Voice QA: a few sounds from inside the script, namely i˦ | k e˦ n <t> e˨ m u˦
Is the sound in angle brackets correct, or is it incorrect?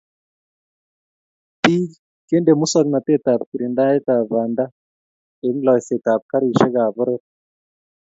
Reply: incorrect: d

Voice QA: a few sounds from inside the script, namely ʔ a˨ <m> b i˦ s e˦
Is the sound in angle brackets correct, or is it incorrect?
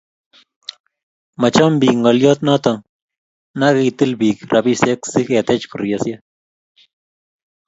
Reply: incorrect: none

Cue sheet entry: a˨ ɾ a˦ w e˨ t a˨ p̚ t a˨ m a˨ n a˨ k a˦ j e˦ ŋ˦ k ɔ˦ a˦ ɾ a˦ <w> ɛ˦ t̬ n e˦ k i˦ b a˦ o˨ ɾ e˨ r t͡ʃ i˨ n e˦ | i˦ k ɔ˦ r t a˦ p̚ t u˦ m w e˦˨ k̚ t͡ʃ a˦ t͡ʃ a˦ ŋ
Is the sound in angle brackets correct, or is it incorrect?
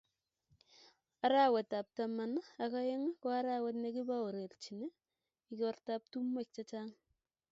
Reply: correct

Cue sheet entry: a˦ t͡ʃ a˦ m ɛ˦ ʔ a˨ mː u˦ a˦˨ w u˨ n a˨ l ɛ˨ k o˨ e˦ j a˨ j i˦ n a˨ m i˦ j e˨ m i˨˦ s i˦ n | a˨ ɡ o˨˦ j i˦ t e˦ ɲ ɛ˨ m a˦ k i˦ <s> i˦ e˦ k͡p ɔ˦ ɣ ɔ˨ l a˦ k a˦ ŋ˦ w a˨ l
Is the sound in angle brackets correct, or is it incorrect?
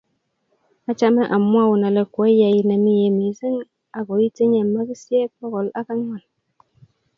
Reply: correct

